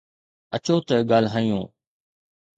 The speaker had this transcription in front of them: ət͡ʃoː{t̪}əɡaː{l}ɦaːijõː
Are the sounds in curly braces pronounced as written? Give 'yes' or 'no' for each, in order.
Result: yes, yes

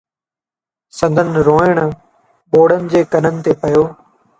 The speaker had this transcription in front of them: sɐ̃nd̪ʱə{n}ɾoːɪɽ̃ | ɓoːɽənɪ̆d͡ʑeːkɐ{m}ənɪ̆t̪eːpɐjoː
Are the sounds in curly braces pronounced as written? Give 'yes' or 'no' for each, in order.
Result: yes, no

